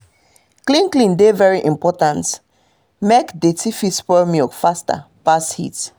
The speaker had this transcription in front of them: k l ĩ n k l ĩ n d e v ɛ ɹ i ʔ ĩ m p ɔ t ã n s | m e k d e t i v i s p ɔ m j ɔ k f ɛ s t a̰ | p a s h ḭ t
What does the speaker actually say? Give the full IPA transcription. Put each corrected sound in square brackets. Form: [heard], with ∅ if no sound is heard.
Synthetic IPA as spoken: k l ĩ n k l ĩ n d e v ɛ ɹ i ʔ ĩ m p ɔ t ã n [t] | m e k d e t i [f] i s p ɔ m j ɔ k f [a] s t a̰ | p a s h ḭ t